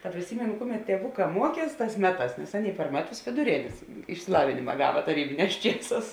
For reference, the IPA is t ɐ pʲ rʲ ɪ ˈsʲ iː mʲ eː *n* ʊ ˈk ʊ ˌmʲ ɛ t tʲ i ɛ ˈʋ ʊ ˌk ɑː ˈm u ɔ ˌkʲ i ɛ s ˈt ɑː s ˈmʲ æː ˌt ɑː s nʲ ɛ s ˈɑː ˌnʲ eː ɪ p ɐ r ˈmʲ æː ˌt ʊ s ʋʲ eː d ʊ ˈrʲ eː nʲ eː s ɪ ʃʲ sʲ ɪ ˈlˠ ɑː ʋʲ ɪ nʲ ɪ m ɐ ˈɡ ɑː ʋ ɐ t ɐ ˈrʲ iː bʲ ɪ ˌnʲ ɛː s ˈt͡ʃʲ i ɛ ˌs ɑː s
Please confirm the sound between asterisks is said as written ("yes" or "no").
yes